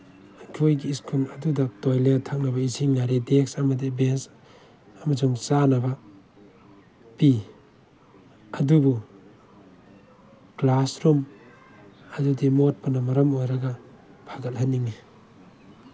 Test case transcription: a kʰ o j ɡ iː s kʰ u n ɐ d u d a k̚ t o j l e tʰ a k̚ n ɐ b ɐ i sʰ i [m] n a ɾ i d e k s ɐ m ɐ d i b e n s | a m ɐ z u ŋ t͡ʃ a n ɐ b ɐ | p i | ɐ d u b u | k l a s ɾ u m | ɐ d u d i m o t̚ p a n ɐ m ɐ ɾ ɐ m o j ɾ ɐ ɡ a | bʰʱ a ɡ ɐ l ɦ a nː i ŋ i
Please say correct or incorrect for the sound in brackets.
incorrect